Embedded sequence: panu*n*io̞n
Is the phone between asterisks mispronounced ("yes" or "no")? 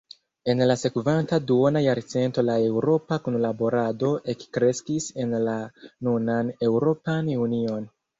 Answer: no